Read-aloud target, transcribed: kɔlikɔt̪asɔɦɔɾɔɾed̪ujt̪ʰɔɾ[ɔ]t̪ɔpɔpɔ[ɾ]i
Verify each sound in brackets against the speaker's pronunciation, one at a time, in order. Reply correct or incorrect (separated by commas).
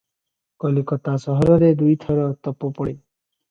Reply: correct, incorrect